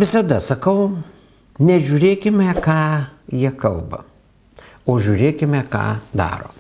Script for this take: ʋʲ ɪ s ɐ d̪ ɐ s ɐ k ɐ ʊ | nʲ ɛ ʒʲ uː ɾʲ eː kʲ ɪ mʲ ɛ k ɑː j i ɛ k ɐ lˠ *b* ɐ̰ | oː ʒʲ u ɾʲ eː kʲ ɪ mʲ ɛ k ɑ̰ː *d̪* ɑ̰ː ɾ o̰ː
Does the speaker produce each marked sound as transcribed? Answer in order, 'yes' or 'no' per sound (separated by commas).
yes, yes